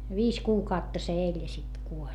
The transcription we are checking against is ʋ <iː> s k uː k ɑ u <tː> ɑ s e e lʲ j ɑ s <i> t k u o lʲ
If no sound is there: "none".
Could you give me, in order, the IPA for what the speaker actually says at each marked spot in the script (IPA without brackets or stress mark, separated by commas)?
iː, tː, i